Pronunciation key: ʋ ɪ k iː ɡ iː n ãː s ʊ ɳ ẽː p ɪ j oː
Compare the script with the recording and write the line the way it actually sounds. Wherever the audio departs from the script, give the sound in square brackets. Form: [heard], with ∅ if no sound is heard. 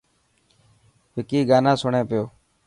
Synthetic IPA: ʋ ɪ k iː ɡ [aː] n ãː s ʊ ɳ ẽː p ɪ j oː